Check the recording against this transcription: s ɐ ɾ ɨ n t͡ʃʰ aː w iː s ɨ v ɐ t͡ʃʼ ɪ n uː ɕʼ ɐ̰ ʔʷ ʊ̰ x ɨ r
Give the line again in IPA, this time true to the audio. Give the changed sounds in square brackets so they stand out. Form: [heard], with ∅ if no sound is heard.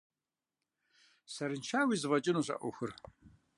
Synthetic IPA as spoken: s ɐ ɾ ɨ n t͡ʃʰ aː w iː [z] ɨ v ɐ t͡ʃʼ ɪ n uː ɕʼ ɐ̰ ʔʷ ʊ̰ x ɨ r